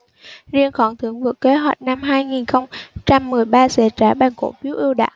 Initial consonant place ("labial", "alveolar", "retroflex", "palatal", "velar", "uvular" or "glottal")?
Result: alveolar